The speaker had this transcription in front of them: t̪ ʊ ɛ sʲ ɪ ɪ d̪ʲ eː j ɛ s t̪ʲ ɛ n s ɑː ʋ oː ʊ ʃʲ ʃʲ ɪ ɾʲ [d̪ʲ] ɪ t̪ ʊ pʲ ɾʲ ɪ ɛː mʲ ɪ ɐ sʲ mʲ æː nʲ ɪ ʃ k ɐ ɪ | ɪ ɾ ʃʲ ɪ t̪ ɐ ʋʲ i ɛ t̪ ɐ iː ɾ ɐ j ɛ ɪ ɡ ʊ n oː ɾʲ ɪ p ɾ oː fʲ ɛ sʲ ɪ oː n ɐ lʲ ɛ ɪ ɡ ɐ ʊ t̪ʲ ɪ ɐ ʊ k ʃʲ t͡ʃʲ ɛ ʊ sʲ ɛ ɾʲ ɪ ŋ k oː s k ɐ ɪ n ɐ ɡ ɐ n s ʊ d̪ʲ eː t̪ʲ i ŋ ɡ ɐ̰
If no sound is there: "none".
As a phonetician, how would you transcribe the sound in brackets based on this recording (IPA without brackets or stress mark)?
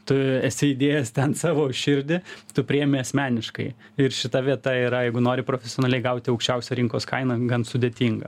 d̪ʲ